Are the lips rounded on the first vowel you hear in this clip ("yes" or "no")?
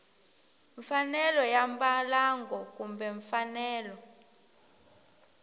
no